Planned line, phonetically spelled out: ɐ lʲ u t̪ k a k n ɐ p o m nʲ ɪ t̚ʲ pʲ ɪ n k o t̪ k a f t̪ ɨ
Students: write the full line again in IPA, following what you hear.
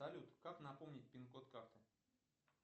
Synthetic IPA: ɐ lʲ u t̪ k a k n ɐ p o m nʲ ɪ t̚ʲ pʲ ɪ n k o t̪ k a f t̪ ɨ